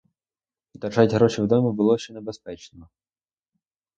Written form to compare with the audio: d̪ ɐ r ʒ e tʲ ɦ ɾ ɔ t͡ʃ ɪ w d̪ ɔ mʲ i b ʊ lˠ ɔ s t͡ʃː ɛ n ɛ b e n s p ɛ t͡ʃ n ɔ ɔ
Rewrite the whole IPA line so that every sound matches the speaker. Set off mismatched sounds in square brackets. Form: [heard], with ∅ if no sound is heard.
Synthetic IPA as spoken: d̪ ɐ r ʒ [a] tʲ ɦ ɾ ɔ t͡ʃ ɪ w d̪ ɔ mʲ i b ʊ lˠ ɔ [ʃ] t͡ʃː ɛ n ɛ b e [∅] s p ɛ t͡ʃ n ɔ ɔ